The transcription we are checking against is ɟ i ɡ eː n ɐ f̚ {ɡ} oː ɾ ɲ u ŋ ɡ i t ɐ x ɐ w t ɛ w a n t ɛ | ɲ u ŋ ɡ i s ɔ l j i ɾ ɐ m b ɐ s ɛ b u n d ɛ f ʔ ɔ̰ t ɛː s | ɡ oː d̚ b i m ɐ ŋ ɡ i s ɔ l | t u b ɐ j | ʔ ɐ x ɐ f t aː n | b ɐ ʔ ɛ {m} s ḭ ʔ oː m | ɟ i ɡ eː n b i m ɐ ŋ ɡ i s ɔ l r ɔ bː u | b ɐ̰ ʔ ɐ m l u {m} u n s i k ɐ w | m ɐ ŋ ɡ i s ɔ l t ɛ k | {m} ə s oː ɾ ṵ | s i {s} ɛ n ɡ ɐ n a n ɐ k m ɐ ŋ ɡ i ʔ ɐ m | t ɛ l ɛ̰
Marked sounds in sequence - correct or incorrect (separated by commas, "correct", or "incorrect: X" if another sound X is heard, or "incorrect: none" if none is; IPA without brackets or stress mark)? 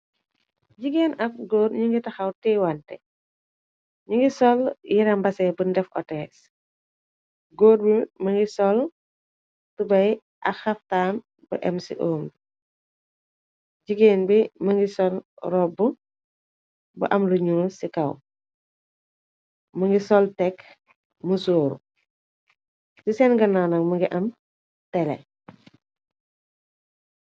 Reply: correct, correct, incorrect: ɲ, correct, correct